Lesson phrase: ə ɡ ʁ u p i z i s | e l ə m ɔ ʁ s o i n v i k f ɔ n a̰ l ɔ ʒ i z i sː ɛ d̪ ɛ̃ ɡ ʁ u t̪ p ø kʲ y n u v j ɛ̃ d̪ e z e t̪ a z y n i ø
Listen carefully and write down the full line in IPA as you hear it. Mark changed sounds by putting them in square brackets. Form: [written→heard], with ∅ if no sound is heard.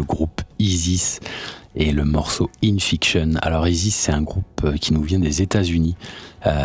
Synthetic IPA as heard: ə ɡ ʁ u p i z i s | e l ə m ɔ ʁ s o i n [v→f] i k [f→ʃ] ɔ n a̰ l ɔ [ʒ→ʁ] i z i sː ɛ [d̪→t̪] ɛ̃ ɡ ʁ u [t̪→∅] p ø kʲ [y→i] n u v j ɛ̃ d̪ e z e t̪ a z y n i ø